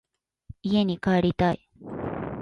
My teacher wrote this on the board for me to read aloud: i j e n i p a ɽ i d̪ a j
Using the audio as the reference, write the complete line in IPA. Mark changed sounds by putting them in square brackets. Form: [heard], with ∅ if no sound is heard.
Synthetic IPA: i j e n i [k] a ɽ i [t̪] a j